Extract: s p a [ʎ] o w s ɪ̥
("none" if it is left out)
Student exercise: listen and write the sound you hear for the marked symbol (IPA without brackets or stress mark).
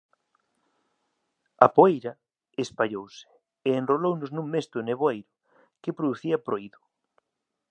ʎ